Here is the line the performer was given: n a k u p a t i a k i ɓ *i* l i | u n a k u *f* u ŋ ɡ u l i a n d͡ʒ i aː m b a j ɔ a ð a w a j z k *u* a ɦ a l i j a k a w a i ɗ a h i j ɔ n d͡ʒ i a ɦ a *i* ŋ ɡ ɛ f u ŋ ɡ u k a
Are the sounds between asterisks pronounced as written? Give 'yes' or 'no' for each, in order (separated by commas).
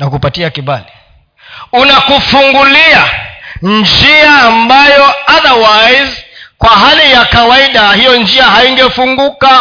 no, yes, no, yes